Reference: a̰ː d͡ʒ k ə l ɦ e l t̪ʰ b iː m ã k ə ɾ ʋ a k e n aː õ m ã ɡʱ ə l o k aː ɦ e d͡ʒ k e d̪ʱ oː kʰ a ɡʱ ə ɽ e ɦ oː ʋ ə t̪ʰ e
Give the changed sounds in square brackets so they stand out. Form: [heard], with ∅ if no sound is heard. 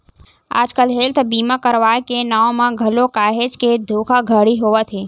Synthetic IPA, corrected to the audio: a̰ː d͡ʒ k ə l ɦ e l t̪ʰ b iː m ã k ə ɾ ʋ a k e n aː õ m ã ɡʱ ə l o k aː ɦ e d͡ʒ k e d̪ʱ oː kʰ a ɡʱ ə ɽ [i] ɦ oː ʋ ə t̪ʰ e